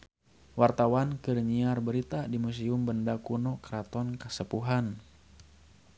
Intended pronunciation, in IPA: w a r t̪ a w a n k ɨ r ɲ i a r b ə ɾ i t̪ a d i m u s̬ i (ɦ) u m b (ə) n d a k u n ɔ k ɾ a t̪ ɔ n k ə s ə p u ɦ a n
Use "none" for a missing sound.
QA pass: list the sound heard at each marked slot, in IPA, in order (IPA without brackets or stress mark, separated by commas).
none, ə